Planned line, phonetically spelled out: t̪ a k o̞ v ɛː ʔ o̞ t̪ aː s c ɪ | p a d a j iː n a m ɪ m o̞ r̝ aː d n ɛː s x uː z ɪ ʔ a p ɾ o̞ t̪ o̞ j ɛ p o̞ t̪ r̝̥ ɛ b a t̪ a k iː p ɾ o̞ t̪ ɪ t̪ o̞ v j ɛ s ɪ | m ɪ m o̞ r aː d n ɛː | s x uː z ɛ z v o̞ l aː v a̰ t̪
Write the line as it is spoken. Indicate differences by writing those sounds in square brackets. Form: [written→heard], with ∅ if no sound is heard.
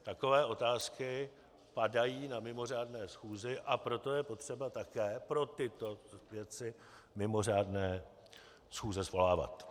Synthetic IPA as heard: t̪ a k o̞ v ɛː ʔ o̞ t̪ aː s [c→k] ɪ | p a d a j iː n a m ɪ m o̞ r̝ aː d n ɛː s x uː z ɪ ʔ a p ɾ o̞ t̪ o̞ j ɛ p o̞ t̪ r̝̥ ɛ b a t̪ a k [iː→ɛː] p ɾ o̞ t̪ ɪ t̪ o̞ v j ɛ [s→t͡s] ɪ | m ɪ m o̞ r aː d n ɛː | s x uː z ɛ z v o̞ l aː v a̰ t̪